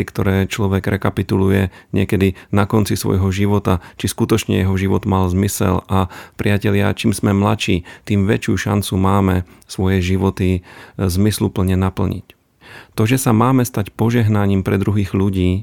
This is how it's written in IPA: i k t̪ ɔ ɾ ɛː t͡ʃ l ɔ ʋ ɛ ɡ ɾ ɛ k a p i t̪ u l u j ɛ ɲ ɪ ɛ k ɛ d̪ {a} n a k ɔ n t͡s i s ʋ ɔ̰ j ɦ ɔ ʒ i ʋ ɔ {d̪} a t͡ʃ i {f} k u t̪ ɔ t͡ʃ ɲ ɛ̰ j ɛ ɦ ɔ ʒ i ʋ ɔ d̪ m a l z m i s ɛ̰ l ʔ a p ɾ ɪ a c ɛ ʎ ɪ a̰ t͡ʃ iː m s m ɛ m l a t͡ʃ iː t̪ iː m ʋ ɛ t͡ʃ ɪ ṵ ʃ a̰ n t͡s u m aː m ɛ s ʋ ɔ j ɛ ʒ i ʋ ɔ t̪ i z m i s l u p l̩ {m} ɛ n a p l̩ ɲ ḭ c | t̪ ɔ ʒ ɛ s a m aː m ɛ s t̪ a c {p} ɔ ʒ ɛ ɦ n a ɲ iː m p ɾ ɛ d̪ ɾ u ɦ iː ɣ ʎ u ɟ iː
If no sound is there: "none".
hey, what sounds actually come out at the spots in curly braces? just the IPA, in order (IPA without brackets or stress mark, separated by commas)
i, t̪, s, ɲ, p